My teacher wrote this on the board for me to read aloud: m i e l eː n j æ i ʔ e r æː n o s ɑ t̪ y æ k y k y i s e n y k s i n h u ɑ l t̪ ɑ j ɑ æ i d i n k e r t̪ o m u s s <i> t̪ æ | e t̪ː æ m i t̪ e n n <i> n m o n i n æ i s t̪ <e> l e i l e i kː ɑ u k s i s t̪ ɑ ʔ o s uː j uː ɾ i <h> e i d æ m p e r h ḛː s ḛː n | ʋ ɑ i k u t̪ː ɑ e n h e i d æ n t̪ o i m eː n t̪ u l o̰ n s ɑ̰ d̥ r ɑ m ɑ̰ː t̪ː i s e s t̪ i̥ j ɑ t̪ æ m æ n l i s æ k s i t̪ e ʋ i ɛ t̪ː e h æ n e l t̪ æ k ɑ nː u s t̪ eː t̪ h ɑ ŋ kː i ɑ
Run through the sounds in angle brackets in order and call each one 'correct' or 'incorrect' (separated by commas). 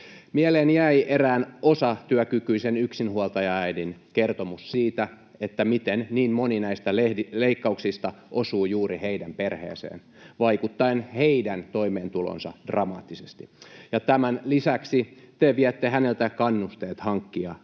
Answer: incorrect, incorrect, incorrect, correct